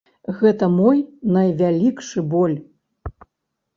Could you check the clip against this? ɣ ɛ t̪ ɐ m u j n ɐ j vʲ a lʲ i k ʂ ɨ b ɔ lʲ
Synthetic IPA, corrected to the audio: ɣ ɛ t̪ ɐ m ɔ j n ɐ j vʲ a lʲ i k ʂ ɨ b ɔ lʲ